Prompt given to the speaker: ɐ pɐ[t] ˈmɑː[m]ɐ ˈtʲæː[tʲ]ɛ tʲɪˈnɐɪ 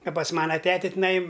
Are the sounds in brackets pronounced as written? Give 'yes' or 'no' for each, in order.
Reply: no, no, yes

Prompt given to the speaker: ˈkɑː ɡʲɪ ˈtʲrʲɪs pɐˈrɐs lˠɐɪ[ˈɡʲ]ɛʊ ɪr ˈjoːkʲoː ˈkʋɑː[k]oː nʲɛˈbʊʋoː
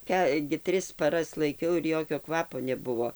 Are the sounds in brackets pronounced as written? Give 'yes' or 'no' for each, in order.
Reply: no, no

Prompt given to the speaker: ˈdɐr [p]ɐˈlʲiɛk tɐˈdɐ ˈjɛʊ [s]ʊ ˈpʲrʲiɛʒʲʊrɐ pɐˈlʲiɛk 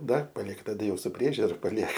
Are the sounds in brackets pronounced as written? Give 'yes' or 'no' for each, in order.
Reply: yes, yes

